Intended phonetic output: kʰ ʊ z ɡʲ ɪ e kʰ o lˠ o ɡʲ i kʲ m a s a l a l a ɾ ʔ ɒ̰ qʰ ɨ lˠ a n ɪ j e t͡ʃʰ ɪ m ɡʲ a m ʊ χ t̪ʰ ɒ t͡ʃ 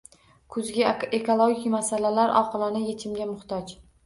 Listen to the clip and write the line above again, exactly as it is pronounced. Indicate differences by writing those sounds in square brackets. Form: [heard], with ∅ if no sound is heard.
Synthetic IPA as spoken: kʰ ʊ z ɡʲ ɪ e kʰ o lˠ o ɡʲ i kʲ m a s a l a l a ɾ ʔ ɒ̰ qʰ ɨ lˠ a n ɪ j e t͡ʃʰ ɪ m ɡʲ a m ʊ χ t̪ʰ ɒ t͡ʃ